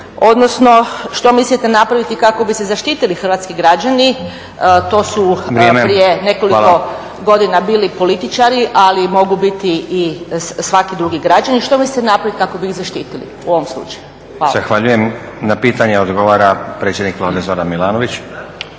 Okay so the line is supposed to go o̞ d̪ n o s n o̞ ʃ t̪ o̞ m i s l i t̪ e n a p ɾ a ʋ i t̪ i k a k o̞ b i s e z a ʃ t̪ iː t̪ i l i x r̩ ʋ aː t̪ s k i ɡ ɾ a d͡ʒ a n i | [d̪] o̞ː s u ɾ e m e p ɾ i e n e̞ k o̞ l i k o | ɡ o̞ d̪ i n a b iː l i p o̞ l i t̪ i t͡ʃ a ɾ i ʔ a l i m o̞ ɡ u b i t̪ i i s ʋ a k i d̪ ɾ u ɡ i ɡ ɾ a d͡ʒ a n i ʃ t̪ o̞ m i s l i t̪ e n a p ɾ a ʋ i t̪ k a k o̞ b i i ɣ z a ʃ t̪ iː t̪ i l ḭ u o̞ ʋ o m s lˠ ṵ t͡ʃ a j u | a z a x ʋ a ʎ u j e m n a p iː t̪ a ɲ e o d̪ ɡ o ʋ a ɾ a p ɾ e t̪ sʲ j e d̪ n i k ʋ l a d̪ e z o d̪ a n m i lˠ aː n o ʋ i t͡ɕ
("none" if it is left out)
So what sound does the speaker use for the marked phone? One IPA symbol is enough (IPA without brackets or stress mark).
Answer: t̪